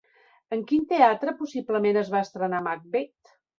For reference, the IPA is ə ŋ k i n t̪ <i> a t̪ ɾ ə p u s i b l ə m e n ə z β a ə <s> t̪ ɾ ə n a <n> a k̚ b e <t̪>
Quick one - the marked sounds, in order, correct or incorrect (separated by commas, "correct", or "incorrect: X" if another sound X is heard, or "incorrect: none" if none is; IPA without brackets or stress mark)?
incorrect: e, correct, incorrect: m, correct